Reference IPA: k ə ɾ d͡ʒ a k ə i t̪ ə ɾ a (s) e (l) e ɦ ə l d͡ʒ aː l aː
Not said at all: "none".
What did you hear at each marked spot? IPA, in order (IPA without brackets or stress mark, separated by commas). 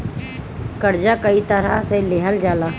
s, l